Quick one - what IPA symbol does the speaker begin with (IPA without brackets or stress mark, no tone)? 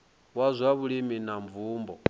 w